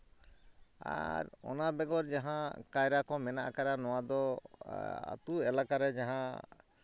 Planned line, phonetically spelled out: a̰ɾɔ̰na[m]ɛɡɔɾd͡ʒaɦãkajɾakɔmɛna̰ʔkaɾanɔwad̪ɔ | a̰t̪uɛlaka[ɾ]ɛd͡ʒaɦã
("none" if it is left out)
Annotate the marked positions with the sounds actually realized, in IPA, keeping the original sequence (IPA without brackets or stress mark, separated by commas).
b, ɾ